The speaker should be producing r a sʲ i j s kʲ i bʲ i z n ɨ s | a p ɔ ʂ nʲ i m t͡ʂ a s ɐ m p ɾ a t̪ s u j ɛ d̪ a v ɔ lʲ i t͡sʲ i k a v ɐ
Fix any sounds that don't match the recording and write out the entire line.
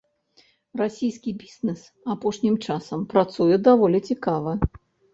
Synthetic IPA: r a sʲ i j s kʲ i bʲ i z n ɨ s | a p ɔ ʂ nʲ i m t͡ʂ a s ɐ m p ɾ a t̪ s u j ɛ d̪ a v ɔ lʲ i t͡sʲ i k a v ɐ